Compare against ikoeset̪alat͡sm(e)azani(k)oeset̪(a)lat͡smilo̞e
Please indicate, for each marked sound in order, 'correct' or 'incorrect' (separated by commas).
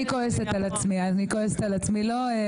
incorrect, correct, correct